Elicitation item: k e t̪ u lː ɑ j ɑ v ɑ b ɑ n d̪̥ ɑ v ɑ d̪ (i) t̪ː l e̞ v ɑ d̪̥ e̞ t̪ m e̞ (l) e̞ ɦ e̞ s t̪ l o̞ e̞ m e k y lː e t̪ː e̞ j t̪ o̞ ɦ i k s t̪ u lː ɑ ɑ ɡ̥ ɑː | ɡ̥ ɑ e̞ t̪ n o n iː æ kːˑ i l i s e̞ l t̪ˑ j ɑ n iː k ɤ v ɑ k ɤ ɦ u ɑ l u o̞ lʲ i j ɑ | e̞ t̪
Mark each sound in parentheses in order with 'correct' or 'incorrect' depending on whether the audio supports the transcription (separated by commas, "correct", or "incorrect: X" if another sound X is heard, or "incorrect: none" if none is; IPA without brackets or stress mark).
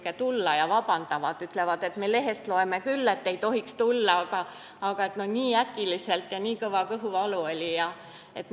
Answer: incorrect: y, correct